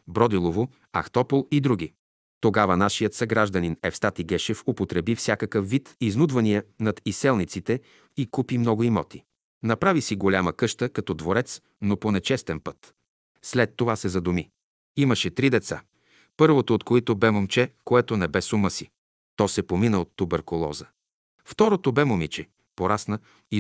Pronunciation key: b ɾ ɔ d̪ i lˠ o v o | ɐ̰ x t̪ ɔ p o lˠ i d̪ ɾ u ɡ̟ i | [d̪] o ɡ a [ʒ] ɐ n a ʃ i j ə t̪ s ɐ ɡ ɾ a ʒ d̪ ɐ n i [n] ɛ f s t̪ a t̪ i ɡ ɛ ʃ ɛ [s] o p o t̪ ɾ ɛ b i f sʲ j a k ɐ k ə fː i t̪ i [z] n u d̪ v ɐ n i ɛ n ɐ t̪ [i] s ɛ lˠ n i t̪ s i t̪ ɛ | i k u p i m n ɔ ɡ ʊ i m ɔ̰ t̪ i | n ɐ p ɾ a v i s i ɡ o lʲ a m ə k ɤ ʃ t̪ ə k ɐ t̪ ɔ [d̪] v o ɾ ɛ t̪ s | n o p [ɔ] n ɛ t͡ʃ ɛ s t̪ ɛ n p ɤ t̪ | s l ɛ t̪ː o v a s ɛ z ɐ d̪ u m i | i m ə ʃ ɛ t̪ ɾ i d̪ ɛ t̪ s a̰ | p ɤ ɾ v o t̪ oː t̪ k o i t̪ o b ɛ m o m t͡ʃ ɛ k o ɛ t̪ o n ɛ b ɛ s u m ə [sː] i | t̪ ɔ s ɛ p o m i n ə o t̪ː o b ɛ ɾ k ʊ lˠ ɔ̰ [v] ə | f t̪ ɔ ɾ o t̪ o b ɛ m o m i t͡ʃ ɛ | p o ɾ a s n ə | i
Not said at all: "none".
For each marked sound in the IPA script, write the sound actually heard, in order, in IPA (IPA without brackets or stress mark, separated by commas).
t̪, v, n, f, z, i, d̪, o, s, z